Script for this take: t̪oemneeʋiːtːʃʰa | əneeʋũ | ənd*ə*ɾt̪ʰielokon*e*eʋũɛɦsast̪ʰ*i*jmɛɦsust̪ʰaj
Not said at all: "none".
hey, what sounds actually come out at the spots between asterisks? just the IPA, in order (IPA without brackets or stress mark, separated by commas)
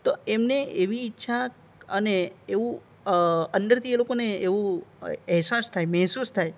ə, e, a